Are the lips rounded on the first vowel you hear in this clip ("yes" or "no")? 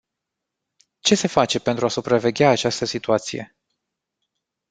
no